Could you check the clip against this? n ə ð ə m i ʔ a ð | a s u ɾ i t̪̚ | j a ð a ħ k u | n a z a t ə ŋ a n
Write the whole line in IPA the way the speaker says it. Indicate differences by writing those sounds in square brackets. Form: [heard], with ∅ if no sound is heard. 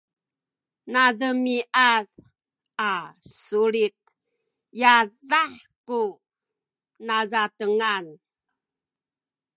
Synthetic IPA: n [a] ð ə m i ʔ a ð | a s u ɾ i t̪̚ | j a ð a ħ k u | n a z a t ə ŋ a n